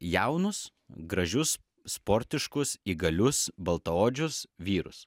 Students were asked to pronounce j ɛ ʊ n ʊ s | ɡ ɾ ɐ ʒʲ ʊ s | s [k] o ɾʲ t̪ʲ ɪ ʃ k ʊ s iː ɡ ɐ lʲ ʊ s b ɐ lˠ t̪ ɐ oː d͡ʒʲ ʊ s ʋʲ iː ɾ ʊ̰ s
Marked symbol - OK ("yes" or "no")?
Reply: no